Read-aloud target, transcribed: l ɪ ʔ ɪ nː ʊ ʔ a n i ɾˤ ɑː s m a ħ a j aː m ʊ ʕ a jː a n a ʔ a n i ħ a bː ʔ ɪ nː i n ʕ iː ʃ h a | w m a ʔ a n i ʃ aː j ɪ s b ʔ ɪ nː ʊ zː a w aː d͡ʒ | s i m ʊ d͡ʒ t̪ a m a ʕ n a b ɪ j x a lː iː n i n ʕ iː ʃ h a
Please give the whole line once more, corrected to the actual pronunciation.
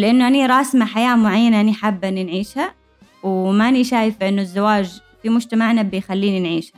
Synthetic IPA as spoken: l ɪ ʔ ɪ nː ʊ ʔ a n i ɾˤ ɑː s m a ħ a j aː m ʊ ʕ a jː a n a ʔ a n i ħ a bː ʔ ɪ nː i n ʕ iː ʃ h a | w m a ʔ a n i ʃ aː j ɪ f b ʔ ɪ nː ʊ zː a w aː d͡ʒ | f i m ʊ d͡ʒ t̪ a m a ʕ n a b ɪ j x a lː iː n i n ʕ iː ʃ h a